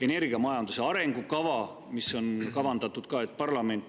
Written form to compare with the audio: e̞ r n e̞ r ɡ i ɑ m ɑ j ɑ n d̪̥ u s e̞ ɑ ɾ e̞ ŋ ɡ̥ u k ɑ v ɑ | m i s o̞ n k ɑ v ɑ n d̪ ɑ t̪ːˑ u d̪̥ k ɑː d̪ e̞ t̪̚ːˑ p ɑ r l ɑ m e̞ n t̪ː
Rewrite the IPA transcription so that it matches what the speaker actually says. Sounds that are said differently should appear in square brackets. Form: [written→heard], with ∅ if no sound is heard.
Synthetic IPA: e̞ [r→∅] n e̞ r ɡ i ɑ m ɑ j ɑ n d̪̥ u s e̞ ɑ ɾ e̞ ŋ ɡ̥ u k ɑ v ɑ | m i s o̞ n k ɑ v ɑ n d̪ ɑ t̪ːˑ u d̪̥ k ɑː [d̪→∅] e̞ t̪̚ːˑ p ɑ r l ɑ m e̞ n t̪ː